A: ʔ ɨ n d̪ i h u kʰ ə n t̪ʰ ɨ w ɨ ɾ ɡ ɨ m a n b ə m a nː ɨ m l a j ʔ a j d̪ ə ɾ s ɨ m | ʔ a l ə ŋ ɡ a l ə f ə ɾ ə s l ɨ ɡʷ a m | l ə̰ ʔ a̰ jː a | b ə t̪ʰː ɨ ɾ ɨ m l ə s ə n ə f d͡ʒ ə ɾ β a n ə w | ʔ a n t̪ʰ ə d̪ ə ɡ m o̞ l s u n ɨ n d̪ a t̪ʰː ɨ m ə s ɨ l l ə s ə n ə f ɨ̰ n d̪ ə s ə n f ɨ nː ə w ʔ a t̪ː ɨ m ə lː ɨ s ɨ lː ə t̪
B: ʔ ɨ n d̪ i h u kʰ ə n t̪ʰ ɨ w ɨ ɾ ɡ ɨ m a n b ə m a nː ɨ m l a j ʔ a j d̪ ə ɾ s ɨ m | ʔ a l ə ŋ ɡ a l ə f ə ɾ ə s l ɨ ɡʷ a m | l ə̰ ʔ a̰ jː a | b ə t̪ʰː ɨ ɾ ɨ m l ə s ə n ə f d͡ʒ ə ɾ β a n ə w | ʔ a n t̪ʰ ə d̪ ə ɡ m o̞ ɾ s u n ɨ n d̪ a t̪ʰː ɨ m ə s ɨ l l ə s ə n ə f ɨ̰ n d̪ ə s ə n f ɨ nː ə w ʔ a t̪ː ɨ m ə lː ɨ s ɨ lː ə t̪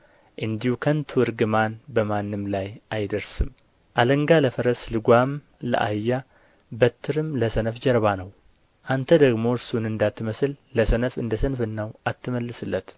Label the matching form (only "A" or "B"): B